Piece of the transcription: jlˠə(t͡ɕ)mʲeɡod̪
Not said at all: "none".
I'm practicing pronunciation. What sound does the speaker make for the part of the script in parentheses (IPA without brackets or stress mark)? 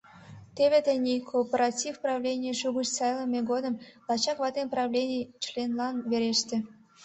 none